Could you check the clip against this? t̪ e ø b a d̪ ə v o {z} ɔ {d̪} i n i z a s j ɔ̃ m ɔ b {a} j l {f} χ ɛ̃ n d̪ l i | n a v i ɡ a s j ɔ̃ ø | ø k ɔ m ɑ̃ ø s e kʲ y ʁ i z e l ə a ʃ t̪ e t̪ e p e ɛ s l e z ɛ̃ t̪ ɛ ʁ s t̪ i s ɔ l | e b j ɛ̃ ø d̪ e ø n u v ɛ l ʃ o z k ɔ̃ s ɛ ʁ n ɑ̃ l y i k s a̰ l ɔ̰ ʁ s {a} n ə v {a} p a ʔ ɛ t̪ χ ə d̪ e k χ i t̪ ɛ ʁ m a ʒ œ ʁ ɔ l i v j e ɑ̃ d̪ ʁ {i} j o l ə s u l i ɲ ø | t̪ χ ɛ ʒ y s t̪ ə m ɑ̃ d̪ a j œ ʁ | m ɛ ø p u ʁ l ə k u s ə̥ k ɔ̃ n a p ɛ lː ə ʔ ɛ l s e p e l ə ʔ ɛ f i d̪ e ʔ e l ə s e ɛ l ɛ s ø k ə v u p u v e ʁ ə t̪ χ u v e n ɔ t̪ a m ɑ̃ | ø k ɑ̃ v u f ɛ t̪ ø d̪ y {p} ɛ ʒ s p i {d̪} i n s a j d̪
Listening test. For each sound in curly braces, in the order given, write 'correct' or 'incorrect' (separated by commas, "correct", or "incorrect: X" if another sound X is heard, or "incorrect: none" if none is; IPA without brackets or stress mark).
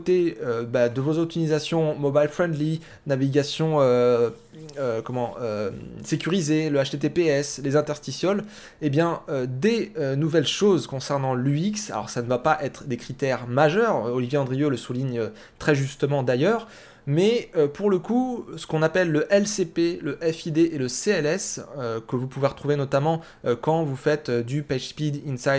correct, incorrect: t̪, correct, correct, correct, correct, correct, correct, correct